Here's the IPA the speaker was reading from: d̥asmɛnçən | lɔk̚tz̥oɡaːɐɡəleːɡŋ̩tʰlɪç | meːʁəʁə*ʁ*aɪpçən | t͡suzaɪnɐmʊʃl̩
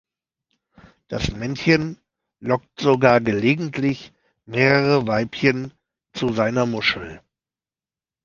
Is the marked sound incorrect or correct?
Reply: incorrect